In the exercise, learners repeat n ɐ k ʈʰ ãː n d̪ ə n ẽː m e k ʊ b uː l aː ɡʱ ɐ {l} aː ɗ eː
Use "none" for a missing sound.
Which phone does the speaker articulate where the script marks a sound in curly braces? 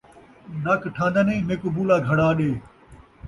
ɽ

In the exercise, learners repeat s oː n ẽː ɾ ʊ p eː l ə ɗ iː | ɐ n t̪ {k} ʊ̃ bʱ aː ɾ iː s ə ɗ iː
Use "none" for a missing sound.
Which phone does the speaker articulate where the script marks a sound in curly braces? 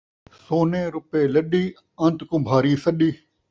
k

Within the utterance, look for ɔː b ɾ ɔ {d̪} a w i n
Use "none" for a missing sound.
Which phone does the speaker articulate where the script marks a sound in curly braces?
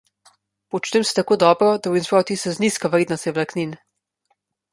d̪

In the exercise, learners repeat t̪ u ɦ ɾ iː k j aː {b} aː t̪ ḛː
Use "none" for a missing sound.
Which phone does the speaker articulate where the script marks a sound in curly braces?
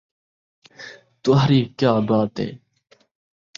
b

